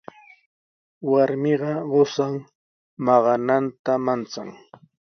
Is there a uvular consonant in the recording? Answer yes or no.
yes